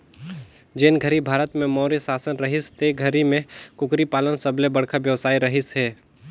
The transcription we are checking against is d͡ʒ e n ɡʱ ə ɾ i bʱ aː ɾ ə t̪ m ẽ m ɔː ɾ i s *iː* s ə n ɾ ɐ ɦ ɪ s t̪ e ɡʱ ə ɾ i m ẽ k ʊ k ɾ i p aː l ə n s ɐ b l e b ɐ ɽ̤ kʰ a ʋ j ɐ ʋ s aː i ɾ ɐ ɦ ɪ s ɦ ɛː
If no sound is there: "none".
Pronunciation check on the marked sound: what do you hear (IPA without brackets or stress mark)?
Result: aː